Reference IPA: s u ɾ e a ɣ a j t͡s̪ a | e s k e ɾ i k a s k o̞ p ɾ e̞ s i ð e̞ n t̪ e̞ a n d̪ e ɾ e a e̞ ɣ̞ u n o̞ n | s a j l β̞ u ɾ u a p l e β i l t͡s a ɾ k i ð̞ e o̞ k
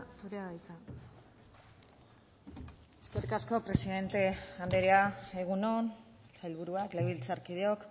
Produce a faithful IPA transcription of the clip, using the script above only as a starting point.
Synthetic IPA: s u ɾ e a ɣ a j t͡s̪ a | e s k e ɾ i k a s k o̞ p ɾ e̞ s i ð e̞ n t̪ e̞ a n d̪ e ɾ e a e̞ ɣ̞ u n o̞ n | s a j l β̞ u ɾ u a k l e β i l t͡s a ɾ k i ð̞ e o̞ k